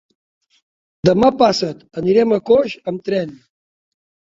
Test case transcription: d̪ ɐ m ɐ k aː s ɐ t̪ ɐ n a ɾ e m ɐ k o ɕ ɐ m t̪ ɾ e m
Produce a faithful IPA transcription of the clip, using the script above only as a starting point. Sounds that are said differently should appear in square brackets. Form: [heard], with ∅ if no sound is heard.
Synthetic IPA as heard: d̪ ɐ m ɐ [p] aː s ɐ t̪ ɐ n [i] ɾ e m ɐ k o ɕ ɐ m t̪ ɾ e [n]